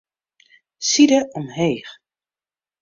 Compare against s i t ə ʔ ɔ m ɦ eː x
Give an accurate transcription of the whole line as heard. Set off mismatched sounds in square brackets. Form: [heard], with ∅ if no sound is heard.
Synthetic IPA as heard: s i [d] ə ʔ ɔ m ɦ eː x

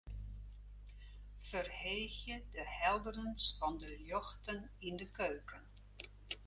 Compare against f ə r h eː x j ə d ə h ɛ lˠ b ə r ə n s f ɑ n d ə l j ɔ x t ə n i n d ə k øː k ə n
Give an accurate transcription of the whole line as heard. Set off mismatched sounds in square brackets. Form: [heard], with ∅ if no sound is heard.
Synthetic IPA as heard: f ə r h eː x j ə d ə h ɛ lˠ [d] ə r ə n s f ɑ n d ə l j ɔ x t ə n i n d ə k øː k ə n

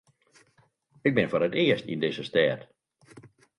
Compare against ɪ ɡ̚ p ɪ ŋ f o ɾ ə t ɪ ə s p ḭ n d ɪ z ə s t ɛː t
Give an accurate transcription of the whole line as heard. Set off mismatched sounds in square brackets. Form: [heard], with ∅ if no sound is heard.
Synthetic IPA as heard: ɪ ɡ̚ [b] ɪ [n] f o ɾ ə t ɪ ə s [t] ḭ n d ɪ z ə s t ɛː t

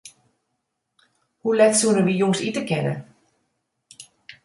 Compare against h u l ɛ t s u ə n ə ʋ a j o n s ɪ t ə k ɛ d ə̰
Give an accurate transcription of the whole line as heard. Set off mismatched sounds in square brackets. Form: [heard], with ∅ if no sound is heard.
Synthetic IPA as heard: h u l ɛ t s u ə n ə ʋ [i] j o [ŋ] s [i] t ə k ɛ [n] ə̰

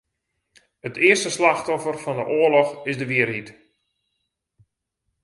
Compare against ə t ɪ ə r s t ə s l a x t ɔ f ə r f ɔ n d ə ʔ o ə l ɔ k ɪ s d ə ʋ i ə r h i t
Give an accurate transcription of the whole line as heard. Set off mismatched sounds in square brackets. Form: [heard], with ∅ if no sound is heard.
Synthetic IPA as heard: ə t ɪ ə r s t ə s l a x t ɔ f ə r f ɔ n d ə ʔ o ə l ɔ [x] ɪ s d ə ʋ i ə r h i t

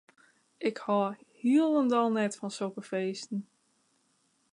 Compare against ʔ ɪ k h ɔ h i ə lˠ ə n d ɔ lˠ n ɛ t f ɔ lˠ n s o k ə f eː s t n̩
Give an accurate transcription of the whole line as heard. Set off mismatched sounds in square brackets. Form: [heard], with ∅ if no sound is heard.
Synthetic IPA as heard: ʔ ɪ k h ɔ h i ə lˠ ə n d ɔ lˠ n ɛ t f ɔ [∅] n s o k ə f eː s t n̩

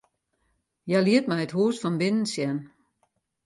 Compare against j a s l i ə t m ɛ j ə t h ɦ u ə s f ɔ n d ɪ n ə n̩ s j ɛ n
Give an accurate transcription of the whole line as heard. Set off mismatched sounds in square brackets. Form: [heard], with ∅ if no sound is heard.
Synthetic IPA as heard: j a [∅] l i ə t m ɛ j ə t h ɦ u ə s f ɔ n [b] ɪ n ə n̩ s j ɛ n

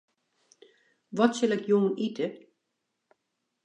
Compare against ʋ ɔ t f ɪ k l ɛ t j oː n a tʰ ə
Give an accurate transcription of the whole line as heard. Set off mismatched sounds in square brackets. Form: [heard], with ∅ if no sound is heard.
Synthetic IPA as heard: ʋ ɔ t [s] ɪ [∅] l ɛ [k] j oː n [i] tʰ ə

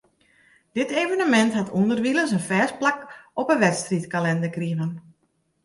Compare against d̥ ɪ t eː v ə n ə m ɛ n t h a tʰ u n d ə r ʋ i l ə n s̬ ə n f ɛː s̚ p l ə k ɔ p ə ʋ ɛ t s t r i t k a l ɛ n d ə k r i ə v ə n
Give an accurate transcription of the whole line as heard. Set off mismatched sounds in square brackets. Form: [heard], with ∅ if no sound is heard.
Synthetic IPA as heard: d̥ ɪ t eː v ə n ə m ɛ n t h a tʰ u n d ə r ʋ i l ə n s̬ ə n f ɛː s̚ p l [a] k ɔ p ə ʋ ɛ t s t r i t k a l ɛ n d ə k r i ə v ə n

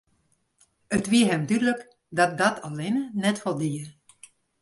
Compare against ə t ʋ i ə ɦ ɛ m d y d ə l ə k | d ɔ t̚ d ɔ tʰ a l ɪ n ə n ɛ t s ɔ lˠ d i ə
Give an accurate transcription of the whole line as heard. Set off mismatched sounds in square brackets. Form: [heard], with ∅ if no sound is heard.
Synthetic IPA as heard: ə t ʋ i ə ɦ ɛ m d y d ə l ə k | d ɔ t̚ d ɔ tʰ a l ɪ n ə n ɛ t [f] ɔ lˠ d i ə

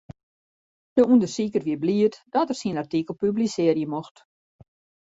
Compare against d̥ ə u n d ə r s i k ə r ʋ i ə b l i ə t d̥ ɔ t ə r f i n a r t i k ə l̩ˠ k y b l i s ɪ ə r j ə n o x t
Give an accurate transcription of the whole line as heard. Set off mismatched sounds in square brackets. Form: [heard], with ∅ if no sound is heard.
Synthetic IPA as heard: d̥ ə u n d ə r s i k ə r ʋ i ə b l i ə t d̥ ɔ t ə r [s] i n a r t i k ə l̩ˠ [p] y b l i s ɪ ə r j ə [m] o x t

